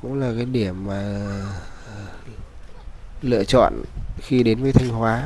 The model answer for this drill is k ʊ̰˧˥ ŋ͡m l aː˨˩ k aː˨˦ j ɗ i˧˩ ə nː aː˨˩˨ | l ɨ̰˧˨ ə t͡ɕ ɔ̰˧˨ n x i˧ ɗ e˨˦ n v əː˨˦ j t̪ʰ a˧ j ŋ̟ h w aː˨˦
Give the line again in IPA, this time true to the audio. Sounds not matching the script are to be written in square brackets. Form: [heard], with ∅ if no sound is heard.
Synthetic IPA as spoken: k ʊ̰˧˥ ŋ͡m l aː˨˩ k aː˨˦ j ɗ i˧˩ ə [mː] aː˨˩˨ | l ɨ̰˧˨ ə t͡ɕ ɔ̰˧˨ n x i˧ ɗ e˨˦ n v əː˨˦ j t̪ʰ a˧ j ŋ̟ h w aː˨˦